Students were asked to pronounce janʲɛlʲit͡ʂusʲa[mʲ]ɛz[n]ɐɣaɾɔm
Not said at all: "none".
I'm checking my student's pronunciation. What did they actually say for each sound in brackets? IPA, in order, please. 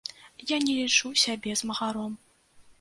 bʲ, m

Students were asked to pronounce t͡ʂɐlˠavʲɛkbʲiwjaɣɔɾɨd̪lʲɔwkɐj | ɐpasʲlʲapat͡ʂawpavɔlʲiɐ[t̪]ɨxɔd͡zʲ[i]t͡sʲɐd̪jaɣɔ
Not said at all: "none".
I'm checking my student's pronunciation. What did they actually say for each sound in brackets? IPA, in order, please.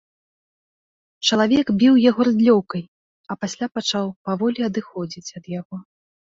d̪, i

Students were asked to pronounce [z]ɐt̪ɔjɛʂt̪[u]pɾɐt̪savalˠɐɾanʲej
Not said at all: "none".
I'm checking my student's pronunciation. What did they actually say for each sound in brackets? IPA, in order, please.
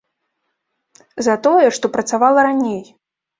z, ɔ

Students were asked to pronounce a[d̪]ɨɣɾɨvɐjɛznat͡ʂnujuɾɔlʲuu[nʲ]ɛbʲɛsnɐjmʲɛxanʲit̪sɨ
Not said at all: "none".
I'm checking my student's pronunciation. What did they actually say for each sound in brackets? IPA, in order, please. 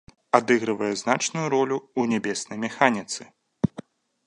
d̪, nʲ

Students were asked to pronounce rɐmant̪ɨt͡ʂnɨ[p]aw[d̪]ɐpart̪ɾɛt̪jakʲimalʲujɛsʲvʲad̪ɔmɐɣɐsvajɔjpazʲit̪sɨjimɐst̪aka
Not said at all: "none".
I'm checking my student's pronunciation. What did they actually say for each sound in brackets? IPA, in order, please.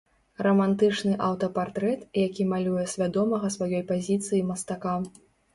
ʔ, t̪

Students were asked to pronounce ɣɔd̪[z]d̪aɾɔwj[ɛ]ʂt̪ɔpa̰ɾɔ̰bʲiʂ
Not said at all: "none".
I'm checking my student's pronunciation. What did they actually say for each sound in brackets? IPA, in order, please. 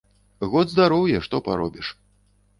z, ɛ

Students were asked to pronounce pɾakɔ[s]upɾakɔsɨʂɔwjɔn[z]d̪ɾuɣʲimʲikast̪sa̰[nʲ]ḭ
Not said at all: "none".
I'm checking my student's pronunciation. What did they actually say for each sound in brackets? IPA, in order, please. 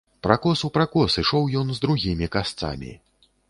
s, z, mʲ

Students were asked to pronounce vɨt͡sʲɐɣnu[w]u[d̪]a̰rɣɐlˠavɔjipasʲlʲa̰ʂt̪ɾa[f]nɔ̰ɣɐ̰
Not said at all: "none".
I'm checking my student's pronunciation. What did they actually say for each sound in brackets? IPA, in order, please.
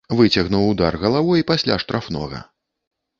w, d̪, f

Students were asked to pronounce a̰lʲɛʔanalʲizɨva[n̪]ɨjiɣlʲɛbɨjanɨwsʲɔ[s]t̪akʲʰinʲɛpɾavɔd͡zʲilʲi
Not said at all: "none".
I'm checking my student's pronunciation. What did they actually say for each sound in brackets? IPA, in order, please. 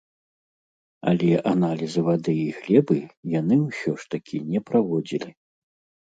d̪, ʂ

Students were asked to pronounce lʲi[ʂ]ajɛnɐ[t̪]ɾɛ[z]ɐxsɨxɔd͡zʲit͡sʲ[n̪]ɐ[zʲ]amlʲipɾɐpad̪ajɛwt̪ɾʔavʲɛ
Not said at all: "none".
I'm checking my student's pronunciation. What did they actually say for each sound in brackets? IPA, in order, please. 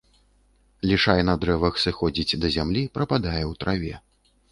ʂ, d̪, v, d̪, zʲ

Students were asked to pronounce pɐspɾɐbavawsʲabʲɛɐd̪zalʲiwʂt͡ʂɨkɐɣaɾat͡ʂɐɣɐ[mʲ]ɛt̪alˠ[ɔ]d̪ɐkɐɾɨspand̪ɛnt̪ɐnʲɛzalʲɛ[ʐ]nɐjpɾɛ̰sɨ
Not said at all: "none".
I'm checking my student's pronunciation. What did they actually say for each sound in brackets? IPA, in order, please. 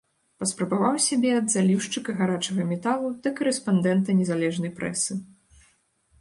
mʲ, u, ʐ

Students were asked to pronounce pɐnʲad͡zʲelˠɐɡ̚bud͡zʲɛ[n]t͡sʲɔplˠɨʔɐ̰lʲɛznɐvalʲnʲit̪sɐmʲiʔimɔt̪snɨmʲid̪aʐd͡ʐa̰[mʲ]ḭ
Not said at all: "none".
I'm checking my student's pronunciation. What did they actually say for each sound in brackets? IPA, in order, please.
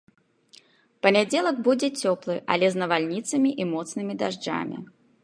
none, mʲ

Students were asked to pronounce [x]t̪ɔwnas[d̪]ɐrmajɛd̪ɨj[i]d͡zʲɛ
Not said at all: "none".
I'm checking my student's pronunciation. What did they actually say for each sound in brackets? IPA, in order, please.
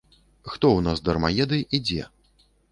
x, d̪, i

